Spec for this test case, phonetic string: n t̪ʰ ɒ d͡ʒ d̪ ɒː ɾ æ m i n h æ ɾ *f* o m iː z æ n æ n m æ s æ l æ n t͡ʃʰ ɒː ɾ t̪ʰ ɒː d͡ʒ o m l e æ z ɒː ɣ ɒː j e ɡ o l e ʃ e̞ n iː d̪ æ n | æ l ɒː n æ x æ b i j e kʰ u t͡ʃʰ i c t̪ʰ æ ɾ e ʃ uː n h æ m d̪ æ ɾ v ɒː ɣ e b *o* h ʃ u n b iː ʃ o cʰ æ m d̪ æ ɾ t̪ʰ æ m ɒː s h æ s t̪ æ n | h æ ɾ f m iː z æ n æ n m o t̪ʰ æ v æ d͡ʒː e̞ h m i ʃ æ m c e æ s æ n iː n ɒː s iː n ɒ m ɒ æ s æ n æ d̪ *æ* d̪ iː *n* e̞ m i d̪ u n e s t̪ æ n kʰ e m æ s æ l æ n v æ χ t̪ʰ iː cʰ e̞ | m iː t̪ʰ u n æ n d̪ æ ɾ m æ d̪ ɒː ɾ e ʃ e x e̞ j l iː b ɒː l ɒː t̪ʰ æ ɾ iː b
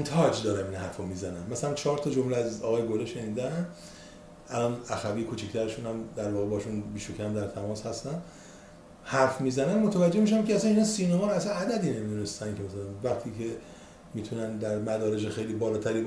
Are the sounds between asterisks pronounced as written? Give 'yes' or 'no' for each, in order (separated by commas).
yes, no, yes, yes